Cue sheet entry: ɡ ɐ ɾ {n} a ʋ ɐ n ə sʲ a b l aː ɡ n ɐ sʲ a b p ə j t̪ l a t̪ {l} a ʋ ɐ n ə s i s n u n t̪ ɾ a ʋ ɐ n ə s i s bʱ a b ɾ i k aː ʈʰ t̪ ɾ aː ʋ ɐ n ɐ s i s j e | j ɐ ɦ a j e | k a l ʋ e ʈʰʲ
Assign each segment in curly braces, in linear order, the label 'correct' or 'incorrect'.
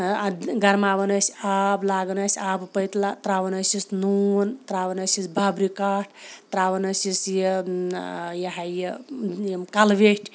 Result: incorrect: m, incorrect: ɾ

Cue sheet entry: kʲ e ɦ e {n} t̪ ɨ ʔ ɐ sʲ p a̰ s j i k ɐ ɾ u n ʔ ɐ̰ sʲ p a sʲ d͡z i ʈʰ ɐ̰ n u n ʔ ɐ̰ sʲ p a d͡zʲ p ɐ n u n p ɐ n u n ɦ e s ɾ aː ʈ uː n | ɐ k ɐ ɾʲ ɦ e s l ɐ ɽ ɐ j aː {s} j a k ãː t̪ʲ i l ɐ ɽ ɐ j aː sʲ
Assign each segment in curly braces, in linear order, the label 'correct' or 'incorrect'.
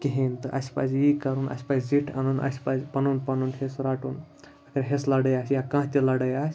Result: correct, correct

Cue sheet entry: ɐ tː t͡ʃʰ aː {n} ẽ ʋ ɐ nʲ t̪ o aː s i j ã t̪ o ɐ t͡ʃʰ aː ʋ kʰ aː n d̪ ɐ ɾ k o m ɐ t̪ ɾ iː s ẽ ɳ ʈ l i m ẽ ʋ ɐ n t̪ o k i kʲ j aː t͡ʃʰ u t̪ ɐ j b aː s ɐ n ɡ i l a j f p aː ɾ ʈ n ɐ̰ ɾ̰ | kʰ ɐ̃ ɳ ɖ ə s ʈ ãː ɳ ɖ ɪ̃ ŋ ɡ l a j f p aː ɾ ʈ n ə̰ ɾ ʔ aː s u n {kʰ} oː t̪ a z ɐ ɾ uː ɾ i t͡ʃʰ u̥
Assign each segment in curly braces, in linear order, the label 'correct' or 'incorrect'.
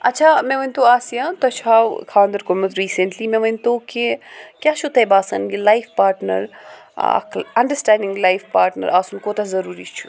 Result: incorrect: m, incorrect: k

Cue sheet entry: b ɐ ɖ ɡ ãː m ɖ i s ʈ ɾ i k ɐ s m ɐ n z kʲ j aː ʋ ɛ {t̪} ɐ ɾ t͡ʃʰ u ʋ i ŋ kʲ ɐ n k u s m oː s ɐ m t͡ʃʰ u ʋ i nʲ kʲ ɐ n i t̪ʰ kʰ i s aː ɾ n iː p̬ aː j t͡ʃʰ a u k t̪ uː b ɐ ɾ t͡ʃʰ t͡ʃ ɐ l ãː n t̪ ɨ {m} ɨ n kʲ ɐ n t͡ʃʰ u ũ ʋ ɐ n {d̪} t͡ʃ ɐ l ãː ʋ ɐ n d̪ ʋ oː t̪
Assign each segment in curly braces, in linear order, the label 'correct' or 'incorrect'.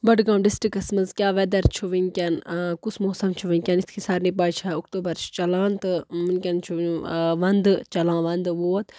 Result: incorrect: d̪, correct, correct

